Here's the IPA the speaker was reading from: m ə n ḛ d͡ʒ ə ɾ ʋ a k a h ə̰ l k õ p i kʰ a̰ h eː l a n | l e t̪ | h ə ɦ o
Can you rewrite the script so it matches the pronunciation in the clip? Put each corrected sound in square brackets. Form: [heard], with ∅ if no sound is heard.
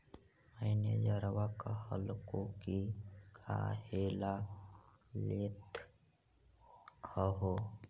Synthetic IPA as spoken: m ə n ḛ d͡ʒ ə ɾ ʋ a k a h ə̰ l k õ [k] i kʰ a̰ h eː l a [∅] | l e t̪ | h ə ɦ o

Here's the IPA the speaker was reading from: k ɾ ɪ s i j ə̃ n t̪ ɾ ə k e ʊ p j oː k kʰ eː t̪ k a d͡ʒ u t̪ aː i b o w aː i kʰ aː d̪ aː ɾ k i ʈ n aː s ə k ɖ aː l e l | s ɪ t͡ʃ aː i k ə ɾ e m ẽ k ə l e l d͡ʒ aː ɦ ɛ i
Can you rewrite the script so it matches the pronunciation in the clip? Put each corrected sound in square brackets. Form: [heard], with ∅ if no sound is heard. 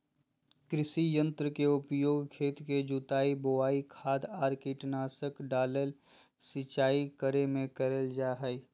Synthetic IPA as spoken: k ɾ ɪ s i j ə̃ n t̪ ɾ ə k e ʊ p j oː [ɡ] kʰ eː t̪ k [e] d͡ʒ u t̪ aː i b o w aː i kʰ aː d̪ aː ɾ k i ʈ n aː s ə k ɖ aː l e l | s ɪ t͡ʃ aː i k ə ɾ e m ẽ k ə [ɾ] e l d͡ʒ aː ɦ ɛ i

